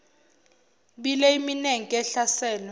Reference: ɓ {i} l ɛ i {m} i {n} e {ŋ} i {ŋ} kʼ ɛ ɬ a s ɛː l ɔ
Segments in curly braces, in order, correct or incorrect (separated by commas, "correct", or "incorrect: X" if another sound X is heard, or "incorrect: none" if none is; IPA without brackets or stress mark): correct, correct, correct, correct, incorrect: none